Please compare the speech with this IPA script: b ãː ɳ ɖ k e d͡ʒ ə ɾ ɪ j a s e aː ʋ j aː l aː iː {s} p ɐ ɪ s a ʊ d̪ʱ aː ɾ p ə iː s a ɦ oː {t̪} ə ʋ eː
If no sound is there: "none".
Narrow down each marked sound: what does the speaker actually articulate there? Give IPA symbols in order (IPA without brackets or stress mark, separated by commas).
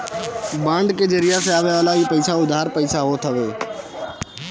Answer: none, t̪ʰ